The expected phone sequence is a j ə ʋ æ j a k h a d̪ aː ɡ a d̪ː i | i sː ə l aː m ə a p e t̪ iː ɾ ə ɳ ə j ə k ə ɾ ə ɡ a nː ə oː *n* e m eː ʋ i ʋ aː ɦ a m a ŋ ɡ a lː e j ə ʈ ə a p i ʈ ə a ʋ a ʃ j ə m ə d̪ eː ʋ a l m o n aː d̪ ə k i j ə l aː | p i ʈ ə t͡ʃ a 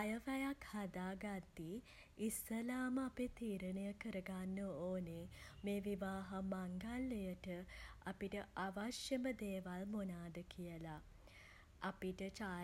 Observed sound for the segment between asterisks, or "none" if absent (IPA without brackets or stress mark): n